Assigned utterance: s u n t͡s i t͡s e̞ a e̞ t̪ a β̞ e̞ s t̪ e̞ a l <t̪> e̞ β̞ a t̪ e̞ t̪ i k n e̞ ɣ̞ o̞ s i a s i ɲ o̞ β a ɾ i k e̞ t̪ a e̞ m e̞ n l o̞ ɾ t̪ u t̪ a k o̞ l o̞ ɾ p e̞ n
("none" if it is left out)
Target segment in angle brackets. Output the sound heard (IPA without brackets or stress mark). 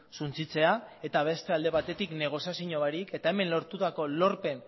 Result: d̪